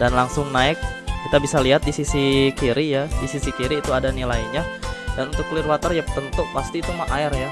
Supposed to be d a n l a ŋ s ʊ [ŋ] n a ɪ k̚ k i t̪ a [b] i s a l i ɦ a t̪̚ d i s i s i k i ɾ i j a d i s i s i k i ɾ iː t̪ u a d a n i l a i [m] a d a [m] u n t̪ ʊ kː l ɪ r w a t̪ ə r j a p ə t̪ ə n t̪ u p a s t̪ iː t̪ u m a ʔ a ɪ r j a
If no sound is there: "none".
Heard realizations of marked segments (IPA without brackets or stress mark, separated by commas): ŋ, b, ɲ, n